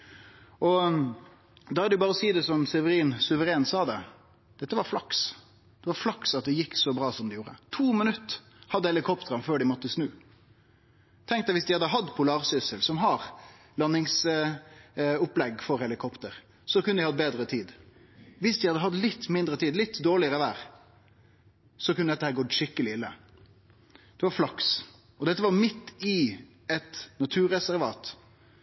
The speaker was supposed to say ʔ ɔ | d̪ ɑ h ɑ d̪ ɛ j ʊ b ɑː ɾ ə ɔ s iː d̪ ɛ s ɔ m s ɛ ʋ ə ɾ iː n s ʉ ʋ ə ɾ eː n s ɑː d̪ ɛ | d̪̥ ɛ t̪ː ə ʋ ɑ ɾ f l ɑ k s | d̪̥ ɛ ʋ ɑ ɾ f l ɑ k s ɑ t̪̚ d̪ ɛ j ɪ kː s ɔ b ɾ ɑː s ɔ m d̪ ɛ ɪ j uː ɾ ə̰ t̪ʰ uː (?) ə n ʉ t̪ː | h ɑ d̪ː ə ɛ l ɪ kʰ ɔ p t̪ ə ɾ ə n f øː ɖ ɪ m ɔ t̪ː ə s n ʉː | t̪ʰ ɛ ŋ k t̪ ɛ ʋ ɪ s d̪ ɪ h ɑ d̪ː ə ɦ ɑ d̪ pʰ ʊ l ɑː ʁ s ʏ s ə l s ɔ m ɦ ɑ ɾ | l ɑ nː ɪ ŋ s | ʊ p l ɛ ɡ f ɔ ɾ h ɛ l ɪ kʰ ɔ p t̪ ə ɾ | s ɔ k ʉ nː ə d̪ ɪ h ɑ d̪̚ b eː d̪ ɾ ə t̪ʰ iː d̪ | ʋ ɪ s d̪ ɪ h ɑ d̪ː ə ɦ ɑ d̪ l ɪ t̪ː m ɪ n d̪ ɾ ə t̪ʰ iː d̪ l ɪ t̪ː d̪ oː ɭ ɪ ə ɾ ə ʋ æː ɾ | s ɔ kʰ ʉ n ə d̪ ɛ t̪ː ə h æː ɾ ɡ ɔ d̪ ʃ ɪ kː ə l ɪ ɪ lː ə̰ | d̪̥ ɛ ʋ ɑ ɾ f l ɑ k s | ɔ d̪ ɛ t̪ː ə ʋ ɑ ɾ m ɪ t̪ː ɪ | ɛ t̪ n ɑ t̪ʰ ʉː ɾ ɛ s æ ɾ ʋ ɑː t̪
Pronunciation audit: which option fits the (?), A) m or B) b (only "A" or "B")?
A